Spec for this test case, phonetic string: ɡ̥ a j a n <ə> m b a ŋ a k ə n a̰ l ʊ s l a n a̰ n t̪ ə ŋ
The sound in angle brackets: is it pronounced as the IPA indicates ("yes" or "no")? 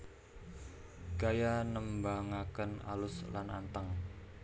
yes